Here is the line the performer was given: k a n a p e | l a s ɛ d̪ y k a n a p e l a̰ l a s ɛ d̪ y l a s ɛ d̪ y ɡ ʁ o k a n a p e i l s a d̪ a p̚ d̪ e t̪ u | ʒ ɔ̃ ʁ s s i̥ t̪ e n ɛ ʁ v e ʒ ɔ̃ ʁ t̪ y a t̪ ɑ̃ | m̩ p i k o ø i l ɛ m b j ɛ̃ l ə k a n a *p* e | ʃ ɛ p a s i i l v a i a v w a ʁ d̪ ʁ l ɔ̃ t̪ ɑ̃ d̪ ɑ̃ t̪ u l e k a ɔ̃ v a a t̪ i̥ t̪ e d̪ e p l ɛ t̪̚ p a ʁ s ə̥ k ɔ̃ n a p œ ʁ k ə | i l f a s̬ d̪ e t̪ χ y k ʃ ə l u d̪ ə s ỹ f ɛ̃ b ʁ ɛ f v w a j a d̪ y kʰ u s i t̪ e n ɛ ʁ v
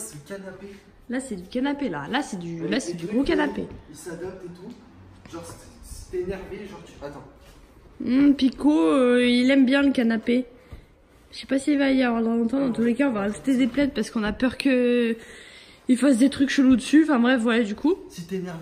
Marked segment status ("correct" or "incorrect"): correct